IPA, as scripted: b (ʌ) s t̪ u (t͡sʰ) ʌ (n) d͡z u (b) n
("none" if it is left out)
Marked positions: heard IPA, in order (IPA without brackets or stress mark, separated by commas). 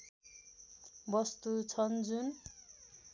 ʌ, t͡sʰ, n, none